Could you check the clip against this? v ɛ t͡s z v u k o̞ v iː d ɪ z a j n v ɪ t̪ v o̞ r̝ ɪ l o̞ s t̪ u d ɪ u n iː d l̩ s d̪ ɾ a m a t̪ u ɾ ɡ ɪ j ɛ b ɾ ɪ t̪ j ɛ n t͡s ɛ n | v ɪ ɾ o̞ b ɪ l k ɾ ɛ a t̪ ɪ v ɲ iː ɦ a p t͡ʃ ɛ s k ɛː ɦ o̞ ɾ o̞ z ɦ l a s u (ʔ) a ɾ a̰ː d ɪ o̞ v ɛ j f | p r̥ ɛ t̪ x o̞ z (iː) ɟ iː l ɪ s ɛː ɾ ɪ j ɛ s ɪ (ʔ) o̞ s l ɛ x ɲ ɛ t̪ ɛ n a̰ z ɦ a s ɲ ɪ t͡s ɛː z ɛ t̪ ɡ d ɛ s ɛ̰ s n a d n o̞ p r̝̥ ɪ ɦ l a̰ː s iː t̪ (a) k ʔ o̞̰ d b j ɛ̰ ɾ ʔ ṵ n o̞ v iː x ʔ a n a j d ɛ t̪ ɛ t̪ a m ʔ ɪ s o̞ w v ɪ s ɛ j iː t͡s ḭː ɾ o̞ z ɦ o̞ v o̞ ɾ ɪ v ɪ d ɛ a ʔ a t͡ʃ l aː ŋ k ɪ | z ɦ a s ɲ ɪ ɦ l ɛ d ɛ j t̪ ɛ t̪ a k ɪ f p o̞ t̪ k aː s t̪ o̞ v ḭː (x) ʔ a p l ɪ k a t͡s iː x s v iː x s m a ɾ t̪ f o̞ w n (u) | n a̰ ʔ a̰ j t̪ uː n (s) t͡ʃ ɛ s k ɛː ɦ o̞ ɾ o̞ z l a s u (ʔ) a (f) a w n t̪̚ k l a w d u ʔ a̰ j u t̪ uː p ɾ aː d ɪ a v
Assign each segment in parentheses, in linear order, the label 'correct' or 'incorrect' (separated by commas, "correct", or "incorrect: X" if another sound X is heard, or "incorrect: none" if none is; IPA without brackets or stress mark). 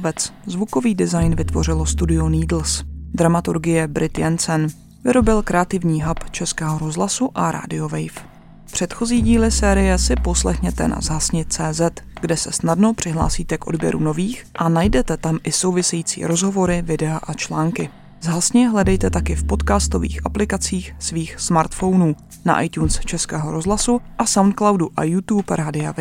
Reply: correct, correct, incorrect: p, incorrect: ɛ, correct, incorrect: uː, correct, correct, incorrect: s